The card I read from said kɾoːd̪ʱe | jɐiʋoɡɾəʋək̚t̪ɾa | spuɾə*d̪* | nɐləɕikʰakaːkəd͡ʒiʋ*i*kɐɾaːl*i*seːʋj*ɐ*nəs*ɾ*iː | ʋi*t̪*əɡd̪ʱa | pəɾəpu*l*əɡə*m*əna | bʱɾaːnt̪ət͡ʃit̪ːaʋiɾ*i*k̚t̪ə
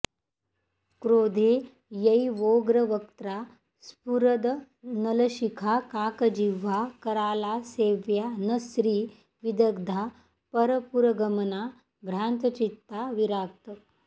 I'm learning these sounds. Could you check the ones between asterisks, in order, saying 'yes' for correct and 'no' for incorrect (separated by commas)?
yes, no, no, no, yes, no, no, yes, no